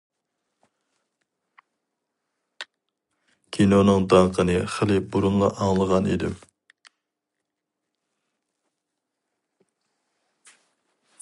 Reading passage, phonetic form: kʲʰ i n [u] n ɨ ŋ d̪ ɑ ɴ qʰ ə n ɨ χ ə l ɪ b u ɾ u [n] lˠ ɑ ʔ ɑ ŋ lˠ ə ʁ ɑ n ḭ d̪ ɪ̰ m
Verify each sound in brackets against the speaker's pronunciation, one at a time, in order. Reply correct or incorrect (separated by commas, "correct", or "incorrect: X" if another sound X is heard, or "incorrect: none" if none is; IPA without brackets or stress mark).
incorrect: o, correct